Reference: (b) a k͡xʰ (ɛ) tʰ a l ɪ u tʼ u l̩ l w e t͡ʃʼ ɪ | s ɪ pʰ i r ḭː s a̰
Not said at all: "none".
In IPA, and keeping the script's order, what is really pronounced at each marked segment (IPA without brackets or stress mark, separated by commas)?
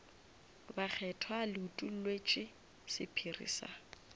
b, ɛ